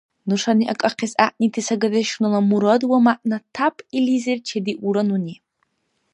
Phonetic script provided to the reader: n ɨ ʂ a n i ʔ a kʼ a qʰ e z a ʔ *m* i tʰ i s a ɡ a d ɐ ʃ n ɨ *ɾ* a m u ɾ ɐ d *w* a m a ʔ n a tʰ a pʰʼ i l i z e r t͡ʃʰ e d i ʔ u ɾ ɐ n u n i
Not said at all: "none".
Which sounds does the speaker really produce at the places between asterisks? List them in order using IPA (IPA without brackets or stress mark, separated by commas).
n, l, w